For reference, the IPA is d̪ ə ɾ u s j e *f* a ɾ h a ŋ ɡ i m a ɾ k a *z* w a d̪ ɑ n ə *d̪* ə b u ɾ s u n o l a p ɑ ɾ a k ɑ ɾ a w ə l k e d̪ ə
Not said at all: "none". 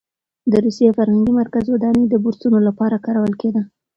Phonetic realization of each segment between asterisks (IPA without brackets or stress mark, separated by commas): f, z, d̪